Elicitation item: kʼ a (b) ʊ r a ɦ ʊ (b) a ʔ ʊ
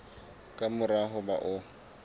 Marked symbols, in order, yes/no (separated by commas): no, yes